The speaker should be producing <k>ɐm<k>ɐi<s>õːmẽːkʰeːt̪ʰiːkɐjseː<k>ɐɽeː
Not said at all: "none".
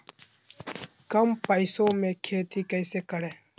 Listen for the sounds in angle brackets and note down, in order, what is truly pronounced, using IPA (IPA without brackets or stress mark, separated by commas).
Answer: k, p, s, k